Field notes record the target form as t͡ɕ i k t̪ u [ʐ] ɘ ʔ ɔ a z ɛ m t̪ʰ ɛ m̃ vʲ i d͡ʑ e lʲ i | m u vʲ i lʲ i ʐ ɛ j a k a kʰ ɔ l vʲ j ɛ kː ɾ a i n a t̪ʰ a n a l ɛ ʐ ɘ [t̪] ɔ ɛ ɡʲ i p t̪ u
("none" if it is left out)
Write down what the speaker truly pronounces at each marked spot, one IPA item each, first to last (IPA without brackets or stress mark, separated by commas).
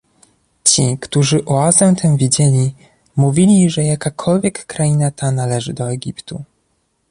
ʐ, d̪